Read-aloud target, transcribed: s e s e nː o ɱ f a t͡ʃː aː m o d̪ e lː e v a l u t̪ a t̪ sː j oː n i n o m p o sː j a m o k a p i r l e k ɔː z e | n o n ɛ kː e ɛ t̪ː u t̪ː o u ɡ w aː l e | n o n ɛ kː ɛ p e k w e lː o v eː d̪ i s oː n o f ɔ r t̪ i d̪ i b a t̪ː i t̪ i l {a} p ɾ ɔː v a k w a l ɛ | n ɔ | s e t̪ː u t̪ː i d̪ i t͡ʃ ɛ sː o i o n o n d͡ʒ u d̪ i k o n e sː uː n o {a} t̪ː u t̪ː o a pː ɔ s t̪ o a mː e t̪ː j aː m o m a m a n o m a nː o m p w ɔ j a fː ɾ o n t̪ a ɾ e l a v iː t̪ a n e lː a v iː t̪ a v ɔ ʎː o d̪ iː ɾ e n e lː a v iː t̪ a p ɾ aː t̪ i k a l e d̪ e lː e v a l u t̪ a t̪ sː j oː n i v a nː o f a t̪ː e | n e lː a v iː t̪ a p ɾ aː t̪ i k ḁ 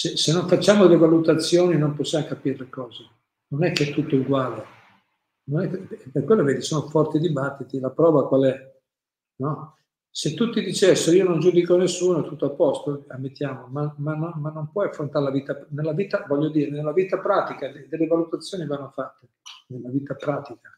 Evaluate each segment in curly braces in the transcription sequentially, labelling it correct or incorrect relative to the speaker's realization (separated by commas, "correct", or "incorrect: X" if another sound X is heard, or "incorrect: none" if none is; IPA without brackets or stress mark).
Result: correct, incorrect: ɛ